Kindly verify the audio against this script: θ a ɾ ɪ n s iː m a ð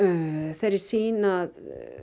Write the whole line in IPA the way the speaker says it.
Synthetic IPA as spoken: θ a ɾ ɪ s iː n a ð